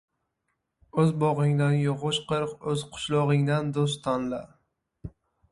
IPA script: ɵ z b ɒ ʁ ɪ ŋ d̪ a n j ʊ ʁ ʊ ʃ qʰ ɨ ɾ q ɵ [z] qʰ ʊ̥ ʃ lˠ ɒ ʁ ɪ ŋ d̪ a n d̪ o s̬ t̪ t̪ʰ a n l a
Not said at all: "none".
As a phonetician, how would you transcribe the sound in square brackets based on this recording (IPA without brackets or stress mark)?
z